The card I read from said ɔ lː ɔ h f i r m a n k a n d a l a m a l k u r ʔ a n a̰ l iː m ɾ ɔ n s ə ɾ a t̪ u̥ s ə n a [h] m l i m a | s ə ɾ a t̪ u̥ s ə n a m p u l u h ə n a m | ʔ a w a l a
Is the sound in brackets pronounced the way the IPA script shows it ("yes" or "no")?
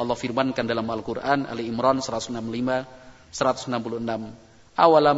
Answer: no